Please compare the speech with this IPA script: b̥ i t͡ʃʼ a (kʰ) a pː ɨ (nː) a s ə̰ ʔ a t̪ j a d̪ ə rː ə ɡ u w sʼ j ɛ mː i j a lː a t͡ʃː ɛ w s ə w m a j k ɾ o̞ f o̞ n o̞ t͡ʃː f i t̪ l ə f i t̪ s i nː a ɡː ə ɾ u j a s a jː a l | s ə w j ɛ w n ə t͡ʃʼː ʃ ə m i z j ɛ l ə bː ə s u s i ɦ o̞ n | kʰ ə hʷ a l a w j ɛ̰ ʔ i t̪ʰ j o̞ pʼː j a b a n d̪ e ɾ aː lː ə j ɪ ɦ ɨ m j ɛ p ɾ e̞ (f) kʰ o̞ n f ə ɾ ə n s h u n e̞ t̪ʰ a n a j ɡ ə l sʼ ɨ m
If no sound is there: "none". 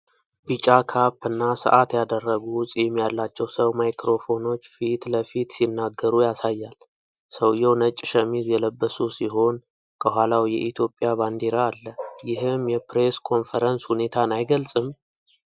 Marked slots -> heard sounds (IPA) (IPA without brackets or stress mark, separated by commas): kʰ, nː, s